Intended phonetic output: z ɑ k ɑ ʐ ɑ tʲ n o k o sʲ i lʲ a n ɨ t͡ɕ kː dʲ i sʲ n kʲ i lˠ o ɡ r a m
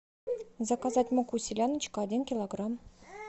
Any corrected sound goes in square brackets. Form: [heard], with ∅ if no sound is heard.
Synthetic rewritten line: z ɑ k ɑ [z] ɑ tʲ [m] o k [u] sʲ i lʲ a n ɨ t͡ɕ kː dʲ i [∅] n kʲ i lˠ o ɡ r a m